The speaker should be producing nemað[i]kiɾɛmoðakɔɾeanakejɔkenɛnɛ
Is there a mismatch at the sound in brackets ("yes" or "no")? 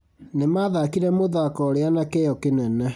yes